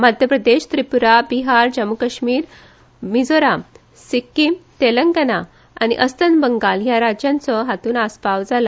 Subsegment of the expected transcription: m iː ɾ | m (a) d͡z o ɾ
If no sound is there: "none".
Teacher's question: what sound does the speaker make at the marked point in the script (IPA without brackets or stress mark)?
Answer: i